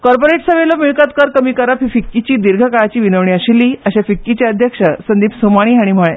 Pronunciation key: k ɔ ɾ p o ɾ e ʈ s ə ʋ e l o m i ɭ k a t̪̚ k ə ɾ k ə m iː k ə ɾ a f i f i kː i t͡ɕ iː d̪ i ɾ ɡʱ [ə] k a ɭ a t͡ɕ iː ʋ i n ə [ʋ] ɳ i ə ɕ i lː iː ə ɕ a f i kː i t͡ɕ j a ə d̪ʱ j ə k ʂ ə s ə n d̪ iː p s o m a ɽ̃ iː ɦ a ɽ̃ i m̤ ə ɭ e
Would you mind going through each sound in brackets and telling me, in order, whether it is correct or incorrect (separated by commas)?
correct, correct